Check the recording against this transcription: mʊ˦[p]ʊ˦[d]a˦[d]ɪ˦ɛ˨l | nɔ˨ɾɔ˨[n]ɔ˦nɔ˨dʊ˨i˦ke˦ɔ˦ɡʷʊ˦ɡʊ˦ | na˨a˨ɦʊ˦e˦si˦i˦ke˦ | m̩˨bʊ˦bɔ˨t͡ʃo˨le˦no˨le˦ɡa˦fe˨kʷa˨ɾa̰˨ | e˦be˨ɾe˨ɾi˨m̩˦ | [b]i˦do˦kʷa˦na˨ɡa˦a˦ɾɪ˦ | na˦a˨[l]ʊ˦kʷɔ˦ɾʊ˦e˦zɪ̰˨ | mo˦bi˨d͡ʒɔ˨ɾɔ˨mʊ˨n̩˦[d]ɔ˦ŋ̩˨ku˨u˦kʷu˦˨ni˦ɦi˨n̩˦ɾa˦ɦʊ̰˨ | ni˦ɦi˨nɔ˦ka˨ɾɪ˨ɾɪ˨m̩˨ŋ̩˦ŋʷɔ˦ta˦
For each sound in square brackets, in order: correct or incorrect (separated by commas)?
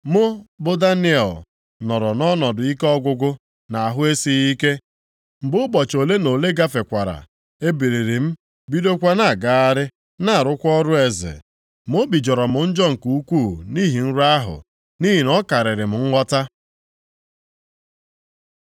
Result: incorrect, correct, incorrect, correct, correct, incorrect, incorrect